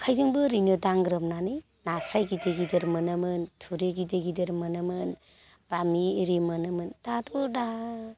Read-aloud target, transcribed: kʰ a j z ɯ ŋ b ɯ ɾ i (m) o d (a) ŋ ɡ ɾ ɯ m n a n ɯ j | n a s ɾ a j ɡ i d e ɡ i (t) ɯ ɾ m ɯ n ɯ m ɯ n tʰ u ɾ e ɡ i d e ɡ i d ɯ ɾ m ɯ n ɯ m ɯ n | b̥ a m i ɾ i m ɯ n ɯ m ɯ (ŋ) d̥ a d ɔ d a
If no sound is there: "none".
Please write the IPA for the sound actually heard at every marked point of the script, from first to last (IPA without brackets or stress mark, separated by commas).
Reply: n, a, d, n